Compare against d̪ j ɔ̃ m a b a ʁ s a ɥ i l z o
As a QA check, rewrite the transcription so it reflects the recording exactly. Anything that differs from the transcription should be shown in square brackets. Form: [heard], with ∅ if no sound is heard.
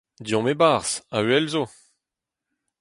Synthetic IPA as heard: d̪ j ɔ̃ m [e] b a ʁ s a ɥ [ɛ] l z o